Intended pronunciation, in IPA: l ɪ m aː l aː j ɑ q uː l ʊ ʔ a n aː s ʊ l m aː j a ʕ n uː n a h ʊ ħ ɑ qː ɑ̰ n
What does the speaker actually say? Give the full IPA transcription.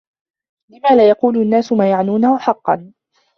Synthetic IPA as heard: l ɪ m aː l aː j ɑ q uː l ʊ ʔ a nː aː s ʊ m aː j a ʕ n uː n a h ʊ ħ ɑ qː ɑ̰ n